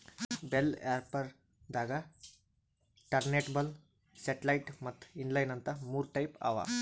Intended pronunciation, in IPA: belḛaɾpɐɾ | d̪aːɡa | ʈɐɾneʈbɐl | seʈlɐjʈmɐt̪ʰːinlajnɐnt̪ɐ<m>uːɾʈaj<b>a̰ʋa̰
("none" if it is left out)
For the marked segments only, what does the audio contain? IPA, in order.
m, p

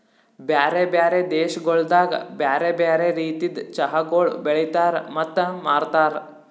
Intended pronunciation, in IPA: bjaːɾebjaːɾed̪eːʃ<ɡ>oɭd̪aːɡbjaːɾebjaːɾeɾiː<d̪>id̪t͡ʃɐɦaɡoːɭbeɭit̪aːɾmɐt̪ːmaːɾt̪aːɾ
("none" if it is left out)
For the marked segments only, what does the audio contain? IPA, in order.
ɡ, t̪

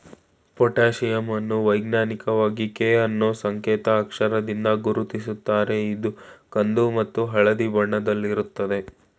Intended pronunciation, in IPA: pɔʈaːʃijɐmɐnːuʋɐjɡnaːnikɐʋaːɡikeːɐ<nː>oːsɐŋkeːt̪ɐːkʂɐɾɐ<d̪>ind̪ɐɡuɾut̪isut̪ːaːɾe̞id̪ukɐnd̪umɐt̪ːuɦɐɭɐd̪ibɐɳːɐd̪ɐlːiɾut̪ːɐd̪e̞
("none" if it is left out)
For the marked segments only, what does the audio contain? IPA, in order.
nː, d̪

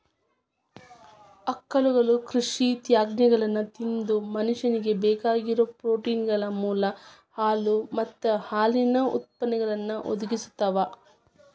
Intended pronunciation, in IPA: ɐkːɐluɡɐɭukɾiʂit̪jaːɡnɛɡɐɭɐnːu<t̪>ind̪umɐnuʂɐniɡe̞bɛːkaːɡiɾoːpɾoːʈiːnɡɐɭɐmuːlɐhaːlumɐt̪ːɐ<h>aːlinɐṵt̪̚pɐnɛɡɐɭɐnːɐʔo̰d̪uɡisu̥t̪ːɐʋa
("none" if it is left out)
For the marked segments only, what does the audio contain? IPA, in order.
t̪, h

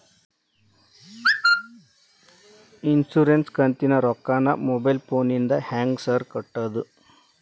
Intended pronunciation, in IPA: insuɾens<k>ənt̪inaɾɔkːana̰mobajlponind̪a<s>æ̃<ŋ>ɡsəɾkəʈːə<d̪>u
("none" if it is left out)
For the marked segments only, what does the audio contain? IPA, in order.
k, h, ŋ, d̪

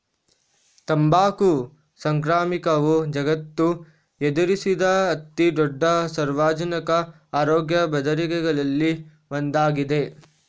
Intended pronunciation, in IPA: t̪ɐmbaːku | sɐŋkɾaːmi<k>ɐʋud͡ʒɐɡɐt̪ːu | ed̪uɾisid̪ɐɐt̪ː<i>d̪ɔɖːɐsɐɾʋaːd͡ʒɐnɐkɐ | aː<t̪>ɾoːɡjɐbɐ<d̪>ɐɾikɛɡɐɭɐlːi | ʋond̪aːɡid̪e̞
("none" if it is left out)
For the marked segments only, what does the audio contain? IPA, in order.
k, i, none, d̪

